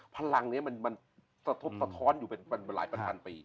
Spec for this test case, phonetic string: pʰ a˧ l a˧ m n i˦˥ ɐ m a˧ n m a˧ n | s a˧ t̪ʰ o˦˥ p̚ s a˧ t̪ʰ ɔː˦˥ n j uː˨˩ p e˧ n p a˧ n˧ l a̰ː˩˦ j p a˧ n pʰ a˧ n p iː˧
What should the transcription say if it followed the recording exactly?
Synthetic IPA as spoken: pʰ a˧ l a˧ ŋ n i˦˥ ɐ m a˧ n m a˧ n | s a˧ t̪ʰ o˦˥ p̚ s a˧ t̪ʰ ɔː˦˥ n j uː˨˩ p e˧ n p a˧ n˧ l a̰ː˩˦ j p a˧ n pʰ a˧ n p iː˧